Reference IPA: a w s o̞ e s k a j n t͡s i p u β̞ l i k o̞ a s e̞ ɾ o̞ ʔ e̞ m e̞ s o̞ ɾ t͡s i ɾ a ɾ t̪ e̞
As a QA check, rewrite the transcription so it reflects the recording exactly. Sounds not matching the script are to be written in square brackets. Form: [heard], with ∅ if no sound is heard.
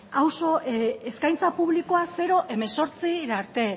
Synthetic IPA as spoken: a w s o̞ e s k a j n t͡s [a] p u β̞ l i k o̞ a s e̞ ɾ o̞ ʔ e̞ m e̞ s o̞ ɾ t͡s i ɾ a ɾ t̪ e̞